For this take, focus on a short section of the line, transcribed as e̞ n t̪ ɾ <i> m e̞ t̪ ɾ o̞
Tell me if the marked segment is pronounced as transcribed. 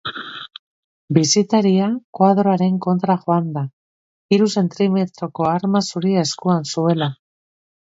yes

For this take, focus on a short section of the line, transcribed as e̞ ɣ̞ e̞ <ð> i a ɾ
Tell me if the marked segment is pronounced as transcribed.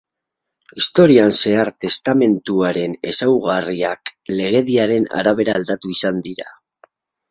yes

